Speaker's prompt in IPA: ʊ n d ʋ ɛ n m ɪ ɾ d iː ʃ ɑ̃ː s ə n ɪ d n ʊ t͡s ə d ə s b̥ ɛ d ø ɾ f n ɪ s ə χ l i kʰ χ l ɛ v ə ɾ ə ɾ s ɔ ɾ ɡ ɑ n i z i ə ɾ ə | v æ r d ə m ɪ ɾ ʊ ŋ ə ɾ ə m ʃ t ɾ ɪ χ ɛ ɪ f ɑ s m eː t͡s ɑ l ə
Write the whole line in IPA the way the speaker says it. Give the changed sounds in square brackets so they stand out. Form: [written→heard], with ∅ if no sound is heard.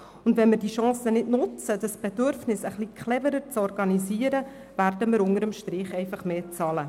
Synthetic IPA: ʊ n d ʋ ɛ n m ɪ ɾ d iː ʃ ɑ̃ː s ə n ɪ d n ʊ t͡s ə d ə s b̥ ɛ d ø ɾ f n ɪ s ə χ l i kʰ χ l ɛ v ə ɾ ə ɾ [s→t͡s] ɔ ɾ ɡ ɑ n i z i ə ɾ ə | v æ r d ə m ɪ ɾ ʊ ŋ ə ɾ ə m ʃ t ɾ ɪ χ ɛ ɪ f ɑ [s→χ] m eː t͡s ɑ l ə

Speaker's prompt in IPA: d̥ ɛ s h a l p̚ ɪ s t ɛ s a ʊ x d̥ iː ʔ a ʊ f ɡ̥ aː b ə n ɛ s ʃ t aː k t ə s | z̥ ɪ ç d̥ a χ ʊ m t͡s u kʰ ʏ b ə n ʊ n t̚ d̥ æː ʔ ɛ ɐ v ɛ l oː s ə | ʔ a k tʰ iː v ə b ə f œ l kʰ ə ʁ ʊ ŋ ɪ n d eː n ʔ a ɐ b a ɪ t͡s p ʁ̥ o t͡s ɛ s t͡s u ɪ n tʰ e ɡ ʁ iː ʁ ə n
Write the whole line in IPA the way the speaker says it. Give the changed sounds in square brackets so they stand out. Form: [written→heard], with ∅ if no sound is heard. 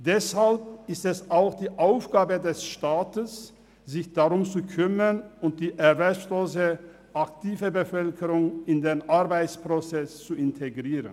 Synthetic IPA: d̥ ɛ s h a l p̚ ɪ s t ɛ s a ʊ x d̥ iː ʔ a ʊ f ɡ̥ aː b ə [n→d] ɛ s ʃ t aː [k→∅] t ə s | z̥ ɪ ç d̥ a [χ→ʁ] ʊ m t͡s u kʰ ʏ [b→m] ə n ʊ n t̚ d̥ [æː→iː] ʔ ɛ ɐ v ɛ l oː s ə | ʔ a k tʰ iː v ə b ə f œ l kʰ ə ʁ ʊ ŋ ɪ n d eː n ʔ a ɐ b a ɪ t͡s p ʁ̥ o t͡s ɛ s t͡s u ɪ n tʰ e ɡ ʁ iː ʁ ə n

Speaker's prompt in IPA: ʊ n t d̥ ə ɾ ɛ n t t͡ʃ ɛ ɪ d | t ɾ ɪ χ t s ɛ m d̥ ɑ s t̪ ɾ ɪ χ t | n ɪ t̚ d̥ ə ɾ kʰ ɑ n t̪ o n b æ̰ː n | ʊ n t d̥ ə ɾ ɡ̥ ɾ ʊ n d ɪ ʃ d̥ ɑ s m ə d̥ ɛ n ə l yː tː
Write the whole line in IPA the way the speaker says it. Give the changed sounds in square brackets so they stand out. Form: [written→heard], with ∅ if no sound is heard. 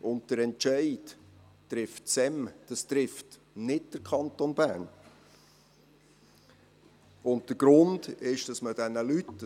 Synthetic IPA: ʊ n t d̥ ə ɾ ɛ n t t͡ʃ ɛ ɪ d | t ɾ ɪ [χ→f] t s ɛ m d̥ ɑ s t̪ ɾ ɪ [χ→f] t | n ɪ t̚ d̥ ə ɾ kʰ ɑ n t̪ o n b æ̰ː n | ʊ n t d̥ ə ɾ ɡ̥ ɾ ʊ n d ɪ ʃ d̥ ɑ s m ə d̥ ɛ n ə l [yː→y] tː

